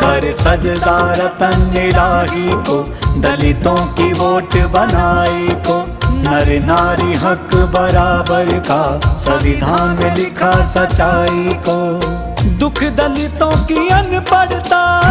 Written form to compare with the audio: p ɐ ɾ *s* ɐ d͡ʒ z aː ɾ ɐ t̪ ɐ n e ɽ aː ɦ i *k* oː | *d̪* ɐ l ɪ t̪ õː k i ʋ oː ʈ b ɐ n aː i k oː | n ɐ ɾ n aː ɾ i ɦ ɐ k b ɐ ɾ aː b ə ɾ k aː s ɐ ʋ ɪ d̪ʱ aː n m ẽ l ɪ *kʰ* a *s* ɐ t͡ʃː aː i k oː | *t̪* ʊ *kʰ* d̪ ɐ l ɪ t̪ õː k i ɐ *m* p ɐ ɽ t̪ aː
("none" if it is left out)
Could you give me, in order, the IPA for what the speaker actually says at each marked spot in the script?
s, k, d̪, kʰ, s, d̪, kʰ, n

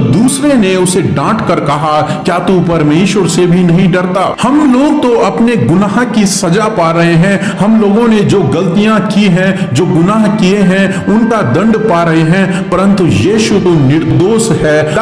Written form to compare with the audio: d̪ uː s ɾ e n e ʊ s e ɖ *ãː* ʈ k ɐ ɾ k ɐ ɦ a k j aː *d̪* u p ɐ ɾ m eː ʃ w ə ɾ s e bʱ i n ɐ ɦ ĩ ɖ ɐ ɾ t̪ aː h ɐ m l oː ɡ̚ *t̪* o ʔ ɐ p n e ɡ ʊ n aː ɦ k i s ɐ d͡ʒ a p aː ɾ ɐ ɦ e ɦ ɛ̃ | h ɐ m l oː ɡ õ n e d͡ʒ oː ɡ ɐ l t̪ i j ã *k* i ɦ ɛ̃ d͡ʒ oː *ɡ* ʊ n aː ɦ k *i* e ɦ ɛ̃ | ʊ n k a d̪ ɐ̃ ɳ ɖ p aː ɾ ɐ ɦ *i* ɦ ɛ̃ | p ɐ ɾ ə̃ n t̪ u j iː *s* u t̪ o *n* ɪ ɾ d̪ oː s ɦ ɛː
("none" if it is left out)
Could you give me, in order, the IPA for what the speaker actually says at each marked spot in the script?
ãː, t̪, t̪, k, ɡ, i, e, ʃ, n

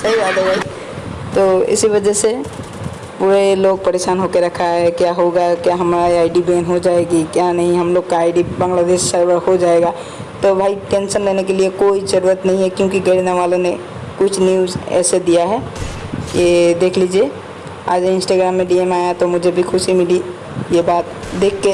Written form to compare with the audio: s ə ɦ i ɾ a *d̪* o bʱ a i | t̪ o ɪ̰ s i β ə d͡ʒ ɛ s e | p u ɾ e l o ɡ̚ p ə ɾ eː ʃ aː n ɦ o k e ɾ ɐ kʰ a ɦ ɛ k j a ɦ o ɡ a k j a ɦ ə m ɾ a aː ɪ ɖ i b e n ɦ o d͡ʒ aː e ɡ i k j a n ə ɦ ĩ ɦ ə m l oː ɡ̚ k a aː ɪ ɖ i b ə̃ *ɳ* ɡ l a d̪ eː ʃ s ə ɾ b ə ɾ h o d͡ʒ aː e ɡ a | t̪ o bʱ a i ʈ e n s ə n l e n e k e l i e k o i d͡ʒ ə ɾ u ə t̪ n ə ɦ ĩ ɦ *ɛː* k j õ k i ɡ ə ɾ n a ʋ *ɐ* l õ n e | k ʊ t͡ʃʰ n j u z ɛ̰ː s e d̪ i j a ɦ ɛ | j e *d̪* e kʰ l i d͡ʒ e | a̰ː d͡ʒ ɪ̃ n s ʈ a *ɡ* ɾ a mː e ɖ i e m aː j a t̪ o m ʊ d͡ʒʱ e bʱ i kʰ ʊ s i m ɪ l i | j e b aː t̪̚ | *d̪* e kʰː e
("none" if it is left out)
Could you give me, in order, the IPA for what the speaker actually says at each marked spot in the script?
d̪, ŋ, ɛ, a, d̪, ɡ, d̪

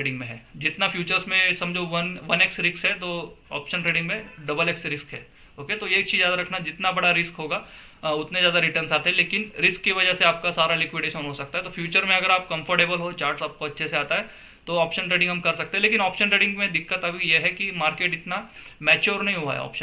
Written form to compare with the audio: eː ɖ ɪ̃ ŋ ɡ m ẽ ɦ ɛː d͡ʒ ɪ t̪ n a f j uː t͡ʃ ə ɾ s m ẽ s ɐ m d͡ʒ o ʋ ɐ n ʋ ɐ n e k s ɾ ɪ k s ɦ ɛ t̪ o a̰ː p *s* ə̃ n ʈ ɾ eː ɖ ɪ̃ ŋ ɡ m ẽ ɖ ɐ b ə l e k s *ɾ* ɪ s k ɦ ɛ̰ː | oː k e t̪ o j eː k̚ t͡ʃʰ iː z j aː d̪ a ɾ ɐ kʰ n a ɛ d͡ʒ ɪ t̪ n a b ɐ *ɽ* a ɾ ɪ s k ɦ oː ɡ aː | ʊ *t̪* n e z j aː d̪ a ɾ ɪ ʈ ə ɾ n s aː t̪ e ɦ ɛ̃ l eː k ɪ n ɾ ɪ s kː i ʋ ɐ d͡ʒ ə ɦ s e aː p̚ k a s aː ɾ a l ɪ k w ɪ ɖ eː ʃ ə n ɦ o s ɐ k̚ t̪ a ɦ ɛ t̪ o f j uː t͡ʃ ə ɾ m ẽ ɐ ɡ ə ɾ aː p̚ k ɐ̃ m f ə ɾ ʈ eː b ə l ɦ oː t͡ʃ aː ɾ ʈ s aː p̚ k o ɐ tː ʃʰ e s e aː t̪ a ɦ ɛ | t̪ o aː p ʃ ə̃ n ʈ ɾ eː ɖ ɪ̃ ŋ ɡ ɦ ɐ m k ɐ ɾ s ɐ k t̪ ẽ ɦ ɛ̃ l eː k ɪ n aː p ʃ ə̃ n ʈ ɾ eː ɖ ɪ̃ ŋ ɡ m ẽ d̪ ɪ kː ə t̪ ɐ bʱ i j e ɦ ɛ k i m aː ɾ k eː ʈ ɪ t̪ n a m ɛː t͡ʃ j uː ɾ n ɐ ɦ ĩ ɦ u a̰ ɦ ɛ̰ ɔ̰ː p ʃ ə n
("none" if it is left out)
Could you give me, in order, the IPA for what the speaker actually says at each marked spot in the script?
ʃ, ɾ, ɽ, t̪

